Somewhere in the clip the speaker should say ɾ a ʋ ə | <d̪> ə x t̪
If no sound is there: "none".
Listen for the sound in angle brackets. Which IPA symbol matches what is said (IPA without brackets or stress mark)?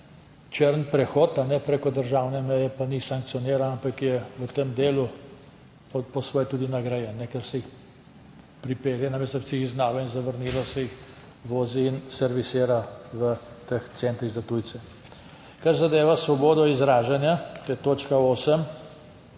t̪